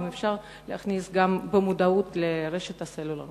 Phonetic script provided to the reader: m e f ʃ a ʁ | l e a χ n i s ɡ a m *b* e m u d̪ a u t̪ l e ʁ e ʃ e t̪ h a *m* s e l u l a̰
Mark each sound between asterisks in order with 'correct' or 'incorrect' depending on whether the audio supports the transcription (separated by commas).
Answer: correct, incorrect